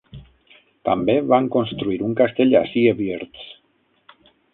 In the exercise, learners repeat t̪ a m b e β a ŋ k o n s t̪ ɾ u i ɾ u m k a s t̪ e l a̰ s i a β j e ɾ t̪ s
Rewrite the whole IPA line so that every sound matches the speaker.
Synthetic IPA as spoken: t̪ a m b e β a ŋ k o n s t̪ ɾ u i ɾ u ŋ k a s t̪ e ʎ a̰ s i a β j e ɾ t̪ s